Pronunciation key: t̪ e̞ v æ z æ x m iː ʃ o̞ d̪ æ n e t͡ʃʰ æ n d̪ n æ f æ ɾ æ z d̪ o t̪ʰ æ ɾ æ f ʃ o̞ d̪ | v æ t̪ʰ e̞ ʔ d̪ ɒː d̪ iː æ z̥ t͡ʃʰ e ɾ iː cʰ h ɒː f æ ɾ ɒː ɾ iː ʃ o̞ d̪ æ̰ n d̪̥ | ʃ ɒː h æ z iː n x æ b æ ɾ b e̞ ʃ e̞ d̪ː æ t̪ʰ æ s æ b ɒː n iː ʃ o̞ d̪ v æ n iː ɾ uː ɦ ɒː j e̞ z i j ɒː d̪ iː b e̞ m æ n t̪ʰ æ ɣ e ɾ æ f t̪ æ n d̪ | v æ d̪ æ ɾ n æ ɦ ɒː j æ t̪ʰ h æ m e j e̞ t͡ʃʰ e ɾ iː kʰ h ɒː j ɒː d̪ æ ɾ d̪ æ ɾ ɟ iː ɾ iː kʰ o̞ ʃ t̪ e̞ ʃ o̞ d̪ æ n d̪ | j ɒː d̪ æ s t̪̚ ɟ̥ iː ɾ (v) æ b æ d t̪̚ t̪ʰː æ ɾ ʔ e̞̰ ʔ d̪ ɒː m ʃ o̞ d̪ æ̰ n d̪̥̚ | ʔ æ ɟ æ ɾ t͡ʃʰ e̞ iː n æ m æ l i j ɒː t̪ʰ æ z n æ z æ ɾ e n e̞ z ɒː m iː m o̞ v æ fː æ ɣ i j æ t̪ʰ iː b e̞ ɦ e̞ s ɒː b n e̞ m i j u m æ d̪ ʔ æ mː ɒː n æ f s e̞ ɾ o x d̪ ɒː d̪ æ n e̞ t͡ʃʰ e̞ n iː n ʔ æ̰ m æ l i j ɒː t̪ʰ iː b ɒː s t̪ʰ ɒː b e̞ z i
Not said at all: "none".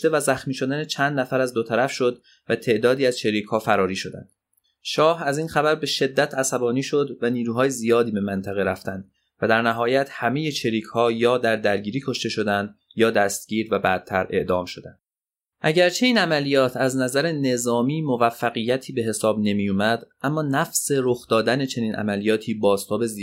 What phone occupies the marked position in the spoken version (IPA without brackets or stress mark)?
v